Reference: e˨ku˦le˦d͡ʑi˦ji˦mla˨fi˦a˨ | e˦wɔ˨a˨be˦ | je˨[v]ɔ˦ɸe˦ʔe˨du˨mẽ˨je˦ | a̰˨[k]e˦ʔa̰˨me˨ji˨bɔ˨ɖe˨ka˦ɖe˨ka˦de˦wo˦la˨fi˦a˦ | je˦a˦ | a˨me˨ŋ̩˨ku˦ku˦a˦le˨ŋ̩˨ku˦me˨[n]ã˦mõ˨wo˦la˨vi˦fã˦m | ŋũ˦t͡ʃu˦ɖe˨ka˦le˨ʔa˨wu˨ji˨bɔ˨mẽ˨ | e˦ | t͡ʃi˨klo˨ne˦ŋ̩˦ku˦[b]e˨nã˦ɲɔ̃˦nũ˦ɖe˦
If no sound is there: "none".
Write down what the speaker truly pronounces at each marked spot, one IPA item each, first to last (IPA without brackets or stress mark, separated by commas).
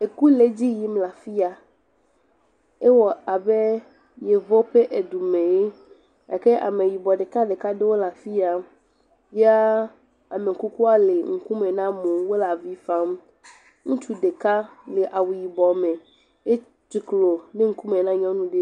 v, k, n, m